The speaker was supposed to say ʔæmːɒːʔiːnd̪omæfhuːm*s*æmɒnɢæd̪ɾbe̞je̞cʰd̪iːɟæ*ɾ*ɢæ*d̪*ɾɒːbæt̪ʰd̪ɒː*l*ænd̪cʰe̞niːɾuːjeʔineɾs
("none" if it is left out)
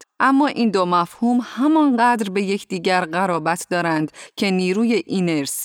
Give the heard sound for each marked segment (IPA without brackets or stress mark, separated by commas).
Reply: h, ɾ, none, ɾ